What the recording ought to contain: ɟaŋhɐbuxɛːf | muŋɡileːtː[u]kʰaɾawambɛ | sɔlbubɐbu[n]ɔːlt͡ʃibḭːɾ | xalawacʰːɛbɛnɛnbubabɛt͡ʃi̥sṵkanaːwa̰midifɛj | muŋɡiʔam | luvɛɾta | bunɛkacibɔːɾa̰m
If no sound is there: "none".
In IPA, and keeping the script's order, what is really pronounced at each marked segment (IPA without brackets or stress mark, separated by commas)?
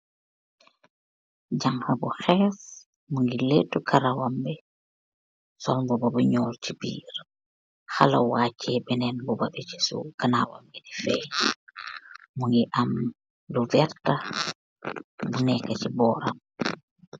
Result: u, ɲ